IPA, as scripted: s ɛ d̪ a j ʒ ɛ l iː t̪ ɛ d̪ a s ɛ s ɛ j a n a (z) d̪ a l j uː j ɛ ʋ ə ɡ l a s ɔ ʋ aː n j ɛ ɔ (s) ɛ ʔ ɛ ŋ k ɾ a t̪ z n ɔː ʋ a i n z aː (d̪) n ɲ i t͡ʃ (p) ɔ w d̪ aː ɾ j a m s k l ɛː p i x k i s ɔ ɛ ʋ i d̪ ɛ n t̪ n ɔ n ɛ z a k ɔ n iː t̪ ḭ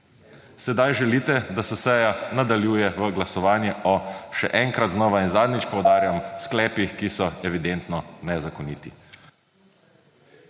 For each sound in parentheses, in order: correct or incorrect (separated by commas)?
incorrect, incorrect, correct, correct